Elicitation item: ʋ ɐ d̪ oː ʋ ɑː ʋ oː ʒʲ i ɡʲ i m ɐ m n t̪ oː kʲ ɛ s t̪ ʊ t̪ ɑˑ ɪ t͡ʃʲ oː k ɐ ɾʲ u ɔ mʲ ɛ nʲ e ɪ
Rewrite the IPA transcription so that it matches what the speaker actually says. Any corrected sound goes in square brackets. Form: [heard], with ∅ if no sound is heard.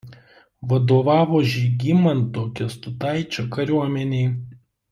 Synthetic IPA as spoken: ʋ ɐ d̪ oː ʋ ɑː ʋ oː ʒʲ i ɡʲ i m ɐ [∅] n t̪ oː kʲ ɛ s t̪ ʊ t̪ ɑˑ ɪ t͡ʃʲ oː k ɐ ɾʲ u ɔ mʲ ɛ nʲ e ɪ

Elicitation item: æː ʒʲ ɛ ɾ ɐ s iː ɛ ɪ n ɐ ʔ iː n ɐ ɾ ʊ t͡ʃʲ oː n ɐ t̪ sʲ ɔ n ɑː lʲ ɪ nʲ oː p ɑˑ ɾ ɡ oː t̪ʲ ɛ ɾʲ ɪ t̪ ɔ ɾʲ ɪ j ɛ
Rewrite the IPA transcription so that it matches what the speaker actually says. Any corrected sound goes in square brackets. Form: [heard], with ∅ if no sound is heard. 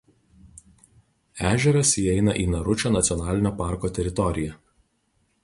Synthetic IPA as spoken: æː ʒʲ ɛ ɾ ɐ s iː ɛ ɪ n ɐ ʔ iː n ɐ ɾ ʊ t͡ʃʲ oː n ɐ t̪ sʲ ɔ n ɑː lʲ ɪ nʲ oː p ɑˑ ɾ [k] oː t̪ʲ ɛ ɾʲ ɪ t̪ ɔ ɾʲ ɪ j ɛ

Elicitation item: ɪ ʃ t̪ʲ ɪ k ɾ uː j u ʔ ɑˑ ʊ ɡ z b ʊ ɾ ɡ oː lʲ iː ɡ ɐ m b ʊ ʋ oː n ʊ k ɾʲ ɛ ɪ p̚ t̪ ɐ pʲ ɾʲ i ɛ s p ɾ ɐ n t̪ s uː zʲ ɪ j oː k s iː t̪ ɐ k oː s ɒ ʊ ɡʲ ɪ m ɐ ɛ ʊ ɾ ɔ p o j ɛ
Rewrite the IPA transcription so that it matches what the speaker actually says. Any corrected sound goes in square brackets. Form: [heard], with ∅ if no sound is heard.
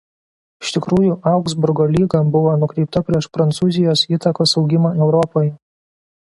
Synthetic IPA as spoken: ɪ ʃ t̪ʲ ɪ k ɾ uː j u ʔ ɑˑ ʊ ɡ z b ʊ ɾ ɡ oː lʲ iː ɡ ɐ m b ʊ ʋ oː n ʊ k ɾʲ ɛ ɪ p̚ t̪ ɐ pʲ ɾʲ i ɛ [ʃ] p ɾ ɐ n t̪ s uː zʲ ɪ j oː [∅] s iː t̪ ɐ k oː s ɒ ʊ ɡʲ ɪ m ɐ ɛ ʊ ɾ ɔ p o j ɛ

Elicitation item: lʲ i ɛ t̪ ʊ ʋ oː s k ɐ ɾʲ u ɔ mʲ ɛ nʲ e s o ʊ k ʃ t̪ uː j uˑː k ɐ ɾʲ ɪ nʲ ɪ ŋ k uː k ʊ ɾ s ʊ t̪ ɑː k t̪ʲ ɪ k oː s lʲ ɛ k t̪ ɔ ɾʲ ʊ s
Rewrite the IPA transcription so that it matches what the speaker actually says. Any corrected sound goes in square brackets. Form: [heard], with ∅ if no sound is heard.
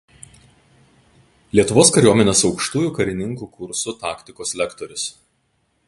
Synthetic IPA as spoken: lʲ i ɛ t̪ ʊ ʋ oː s k ɐ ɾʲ u ɔ mʲ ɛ nʲ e s [ɒ] ʊ k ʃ t̪ uː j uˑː k ɐ ɾʲ ɪ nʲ ɪ ŋ k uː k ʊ ɾ s ʊ t̪ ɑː k t̪ʲ ɪ k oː s lʲ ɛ k t̪ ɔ ɾʲ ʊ s

